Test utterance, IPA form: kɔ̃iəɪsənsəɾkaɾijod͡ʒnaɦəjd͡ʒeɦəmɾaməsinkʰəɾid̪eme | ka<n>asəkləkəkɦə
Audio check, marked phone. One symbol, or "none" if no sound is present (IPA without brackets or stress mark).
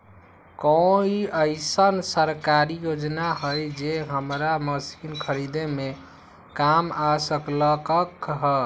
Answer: m